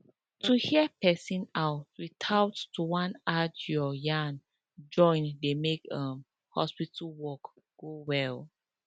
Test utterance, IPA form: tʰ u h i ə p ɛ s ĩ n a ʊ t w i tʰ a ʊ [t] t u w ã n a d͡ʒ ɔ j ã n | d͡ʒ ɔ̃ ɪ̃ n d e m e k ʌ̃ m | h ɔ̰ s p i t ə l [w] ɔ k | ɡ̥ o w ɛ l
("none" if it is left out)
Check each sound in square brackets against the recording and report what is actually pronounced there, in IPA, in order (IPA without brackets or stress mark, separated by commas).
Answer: t, w